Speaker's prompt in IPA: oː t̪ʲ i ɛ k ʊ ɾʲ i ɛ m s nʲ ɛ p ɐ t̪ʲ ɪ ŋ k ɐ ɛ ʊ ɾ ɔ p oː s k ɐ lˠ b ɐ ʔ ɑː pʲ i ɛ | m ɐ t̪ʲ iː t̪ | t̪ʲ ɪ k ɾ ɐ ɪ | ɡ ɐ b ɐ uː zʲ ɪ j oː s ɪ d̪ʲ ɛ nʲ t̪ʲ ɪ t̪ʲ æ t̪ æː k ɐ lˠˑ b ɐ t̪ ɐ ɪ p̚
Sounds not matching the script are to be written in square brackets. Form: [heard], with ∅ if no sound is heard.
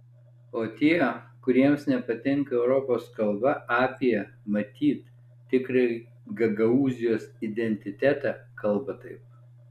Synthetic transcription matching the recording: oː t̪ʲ i ɛ k ʊ ɾʲ i ɛ m s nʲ ɛ p ɐ t̪ʲ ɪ ŋ k ɐ ɛ ʊ ɾ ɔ p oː s k ɐ lˠ b ɐ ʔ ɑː pʲ i ɛ | m ɐ t̪ʲ iː t̪ | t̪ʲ ɪ k ɾ ɐ ɪ | ɡ ɐ [ɡ] ɐ uː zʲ ɪ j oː s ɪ d̪ʲ ɛ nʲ t̪ʲ ɪ t̪ʲ æ t̪ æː k ɐ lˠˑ b ɐ t̪ ɐ ɪ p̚